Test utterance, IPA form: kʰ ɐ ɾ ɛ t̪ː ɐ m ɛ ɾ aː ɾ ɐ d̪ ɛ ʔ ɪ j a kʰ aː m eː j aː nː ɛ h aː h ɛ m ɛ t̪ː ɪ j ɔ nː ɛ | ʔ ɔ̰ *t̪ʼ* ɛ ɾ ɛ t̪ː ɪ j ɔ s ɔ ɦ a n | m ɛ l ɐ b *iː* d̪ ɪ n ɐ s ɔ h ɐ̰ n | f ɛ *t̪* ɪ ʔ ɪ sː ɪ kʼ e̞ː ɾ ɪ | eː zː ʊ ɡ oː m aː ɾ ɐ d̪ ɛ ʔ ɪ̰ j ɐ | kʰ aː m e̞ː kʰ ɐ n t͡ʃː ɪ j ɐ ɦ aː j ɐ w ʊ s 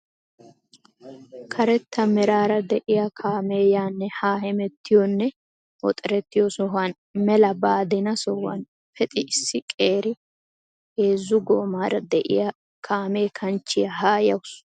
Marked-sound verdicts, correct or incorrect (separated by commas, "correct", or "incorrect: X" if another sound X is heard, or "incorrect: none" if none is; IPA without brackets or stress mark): correct, incorrect: aː, incorrect: t̪ʼ